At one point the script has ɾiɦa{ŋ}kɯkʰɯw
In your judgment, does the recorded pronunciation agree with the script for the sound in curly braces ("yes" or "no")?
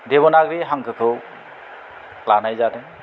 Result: yes